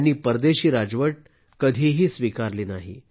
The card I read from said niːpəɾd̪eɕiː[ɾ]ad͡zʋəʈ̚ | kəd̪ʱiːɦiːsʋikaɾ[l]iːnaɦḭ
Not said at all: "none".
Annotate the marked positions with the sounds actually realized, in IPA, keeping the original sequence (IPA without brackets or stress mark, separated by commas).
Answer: ɾ, l